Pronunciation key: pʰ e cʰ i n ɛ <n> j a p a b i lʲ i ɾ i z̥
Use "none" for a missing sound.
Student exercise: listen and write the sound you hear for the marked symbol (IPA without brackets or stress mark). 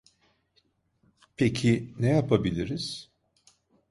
none